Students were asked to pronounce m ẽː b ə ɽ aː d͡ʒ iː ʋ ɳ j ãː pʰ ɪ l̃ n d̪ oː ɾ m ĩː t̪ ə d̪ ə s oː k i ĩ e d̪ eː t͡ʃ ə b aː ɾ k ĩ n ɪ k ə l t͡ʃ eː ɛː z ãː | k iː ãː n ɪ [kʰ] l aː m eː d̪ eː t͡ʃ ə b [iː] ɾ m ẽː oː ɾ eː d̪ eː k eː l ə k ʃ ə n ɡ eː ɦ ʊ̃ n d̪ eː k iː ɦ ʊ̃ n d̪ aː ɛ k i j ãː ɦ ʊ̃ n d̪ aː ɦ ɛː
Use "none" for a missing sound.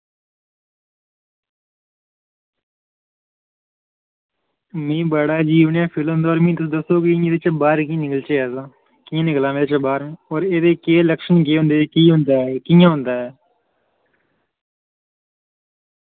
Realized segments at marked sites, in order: k, aː

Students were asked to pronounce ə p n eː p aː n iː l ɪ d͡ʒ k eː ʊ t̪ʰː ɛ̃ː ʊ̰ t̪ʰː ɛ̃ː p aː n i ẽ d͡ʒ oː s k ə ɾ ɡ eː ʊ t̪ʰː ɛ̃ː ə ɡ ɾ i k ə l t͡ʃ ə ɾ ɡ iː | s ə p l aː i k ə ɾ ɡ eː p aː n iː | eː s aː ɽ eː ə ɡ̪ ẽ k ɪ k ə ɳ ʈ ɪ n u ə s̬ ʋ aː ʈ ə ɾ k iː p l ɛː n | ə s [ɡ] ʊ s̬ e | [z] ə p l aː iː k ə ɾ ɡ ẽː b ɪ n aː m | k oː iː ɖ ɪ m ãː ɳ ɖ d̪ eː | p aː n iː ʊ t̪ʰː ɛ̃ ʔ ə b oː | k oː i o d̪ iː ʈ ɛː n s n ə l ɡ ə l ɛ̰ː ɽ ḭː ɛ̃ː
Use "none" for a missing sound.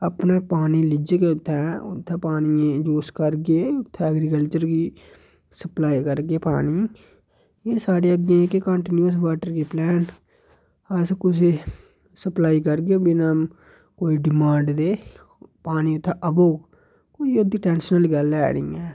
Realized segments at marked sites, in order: k, s

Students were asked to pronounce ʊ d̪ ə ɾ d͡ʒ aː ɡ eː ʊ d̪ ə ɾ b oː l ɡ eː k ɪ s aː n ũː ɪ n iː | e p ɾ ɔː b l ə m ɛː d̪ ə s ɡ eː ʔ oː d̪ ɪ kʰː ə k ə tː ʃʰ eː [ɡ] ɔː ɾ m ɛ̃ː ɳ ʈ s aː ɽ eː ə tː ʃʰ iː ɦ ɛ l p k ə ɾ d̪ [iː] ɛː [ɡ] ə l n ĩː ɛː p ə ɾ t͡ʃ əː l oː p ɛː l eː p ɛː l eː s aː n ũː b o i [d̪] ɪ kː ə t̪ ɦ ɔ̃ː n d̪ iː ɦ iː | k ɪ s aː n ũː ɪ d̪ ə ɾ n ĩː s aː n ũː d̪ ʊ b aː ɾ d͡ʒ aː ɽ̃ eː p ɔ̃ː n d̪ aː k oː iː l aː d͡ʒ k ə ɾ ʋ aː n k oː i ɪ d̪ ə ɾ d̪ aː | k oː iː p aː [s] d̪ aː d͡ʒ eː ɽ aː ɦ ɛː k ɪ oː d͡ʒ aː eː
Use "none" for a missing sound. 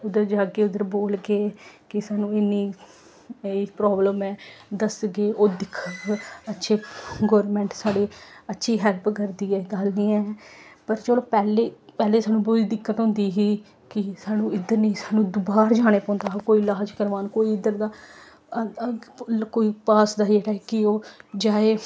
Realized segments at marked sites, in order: ɡ, iː, ɡ, d̪, s

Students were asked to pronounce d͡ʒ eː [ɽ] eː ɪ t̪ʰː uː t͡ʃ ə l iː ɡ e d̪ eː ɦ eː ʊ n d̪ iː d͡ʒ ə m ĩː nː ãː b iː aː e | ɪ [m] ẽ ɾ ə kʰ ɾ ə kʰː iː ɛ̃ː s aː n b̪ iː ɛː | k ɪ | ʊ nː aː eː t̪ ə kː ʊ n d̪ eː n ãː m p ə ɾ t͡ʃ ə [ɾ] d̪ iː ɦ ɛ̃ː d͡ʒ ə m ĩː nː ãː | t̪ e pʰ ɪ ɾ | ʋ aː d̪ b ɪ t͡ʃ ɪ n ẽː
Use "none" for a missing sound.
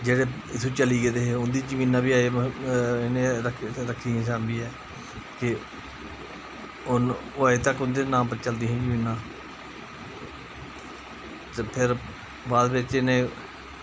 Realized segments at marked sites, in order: ɽ, n, l

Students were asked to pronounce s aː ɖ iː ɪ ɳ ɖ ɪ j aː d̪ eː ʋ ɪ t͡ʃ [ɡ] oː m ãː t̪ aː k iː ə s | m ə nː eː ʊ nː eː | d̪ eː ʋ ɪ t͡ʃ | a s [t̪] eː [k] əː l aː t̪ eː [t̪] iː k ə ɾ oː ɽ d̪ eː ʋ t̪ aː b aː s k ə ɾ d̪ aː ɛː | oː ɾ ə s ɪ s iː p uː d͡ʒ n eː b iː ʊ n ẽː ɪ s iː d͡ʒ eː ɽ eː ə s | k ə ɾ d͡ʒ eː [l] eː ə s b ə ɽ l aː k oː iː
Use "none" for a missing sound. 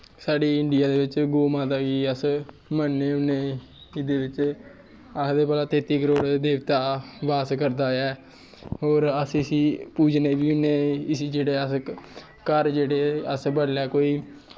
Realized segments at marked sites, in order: ɡ, d̪, p, t̪, ɽ

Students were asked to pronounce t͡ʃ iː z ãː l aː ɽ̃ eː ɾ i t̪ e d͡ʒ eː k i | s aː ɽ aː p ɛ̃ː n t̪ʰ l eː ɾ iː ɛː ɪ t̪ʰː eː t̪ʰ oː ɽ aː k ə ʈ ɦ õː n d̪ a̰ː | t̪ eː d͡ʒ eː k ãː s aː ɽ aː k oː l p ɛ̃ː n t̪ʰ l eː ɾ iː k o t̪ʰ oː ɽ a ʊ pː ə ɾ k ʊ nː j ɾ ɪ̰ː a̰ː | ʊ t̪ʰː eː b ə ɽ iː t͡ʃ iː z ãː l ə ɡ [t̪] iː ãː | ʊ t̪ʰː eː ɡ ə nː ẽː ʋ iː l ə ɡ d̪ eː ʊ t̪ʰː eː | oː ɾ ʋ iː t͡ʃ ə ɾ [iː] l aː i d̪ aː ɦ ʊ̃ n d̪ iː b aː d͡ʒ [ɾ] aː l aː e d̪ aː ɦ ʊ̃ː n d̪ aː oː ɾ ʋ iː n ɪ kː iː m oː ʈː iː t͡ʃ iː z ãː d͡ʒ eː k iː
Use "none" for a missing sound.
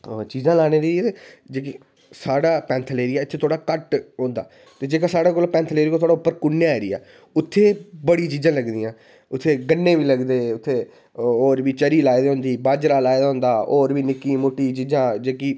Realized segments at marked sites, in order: d̪, iː, ɾ

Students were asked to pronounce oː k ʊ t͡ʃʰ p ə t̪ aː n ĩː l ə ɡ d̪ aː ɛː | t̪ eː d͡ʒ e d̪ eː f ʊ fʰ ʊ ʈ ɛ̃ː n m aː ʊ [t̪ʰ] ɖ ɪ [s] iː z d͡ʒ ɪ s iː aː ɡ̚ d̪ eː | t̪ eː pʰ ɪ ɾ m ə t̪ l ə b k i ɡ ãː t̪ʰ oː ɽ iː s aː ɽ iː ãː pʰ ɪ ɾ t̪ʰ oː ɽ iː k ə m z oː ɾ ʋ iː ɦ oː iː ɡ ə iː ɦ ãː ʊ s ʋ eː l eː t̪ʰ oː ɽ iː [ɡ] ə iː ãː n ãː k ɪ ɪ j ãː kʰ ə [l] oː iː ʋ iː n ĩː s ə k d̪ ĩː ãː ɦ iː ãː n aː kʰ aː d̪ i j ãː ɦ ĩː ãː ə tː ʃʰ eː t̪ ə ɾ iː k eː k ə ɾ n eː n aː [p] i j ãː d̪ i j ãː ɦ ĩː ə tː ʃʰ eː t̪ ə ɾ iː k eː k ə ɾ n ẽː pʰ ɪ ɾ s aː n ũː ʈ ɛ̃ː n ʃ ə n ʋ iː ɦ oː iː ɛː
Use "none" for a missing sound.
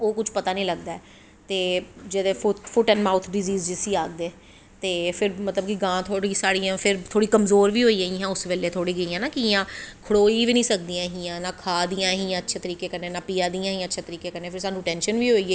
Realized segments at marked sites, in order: t̪ʰ, z, ɡ, ɽ, p

